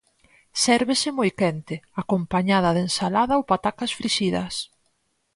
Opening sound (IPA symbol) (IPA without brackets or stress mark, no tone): s